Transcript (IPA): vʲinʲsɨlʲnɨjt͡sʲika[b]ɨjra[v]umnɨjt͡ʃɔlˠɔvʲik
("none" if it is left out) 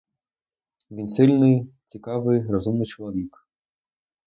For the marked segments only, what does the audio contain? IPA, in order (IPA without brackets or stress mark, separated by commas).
v, z